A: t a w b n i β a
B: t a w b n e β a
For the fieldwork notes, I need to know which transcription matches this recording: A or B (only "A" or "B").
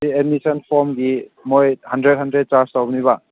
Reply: A